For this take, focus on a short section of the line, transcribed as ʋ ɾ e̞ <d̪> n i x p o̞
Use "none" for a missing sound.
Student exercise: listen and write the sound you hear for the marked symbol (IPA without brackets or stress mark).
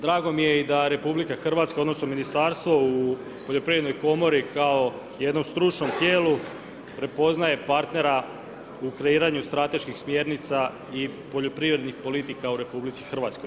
d̪